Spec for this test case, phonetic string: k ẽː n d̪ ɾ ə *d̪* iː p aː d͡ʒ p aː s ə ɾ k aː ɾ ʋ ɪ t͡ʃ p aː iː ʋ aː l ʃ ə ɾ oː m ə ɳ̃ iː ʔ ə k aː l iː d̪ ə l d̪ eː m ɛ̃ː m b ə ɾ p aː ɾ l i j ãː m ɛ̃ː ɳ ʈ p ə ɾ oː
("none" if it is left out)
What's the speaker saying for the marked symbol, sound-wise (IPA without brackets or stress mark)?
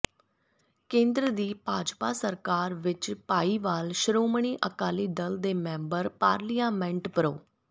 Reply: d̪